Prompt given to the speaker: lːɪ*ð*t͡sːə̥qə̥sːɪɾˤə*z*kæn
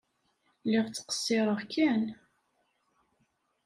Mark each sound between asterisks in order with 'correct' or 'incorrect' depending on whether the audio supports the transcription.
incorrect: ʁ, incorrect: ʁ

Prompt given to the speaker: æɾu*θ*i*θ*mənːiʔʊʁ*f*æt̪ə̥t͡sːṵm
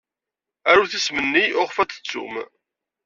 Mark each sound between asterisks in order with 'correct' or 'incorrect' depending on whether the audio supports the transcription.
correct, incorrect: s, correct

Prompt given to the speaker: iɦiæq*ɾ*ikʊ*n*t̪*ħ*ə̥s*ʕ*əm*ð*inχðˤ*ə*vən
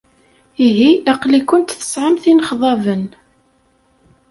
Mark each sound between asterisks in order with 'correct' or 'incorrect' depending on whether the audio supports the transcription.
incorrect: l, correct, incorrect: θ, correct, incorrect: θ, incorrect: ɑ

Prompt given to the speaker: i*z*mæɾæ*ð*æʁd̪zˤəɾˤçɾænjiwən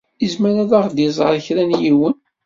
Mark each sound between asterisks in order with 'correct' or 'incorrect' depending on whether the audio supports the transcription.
correct, correct

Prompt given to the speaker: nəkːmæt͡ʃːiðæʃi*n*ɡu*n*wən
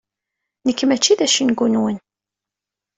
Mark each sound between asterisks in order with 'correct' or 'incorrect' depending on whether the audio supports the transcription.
correct, correct

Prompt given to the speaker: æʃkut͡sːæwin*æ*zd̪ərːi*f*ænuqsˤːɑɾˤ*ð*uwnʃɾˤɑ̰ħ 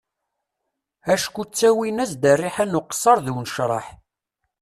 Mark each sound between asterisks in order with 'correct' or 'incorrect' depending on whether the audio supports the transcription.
correct, incorrect: ħ, correct

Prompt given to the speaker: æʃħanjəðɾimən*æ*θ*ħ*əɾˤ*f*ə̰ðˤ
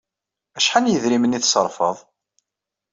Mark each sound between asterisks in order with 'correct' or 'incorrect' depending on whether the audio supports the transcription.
incorrect: i, incorrect: s, correct

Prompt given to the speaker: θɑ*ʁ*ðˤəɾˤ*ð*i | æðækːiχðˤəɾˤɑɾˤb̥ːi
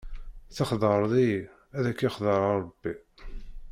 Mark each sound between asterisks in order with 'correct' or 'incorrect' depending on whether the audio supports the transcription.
incorrect: χ, correct

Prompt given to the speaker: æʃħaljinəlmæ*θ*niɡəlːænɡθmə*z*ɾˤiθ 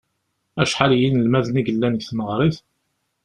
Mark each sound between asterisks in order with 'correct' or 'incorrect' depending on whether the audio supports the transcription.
incorrect: ð, incorrect: ʁ

